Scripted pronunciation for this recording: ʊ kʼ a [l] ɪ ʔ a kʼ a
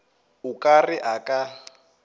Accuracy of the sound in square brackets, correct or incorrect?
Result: incorrect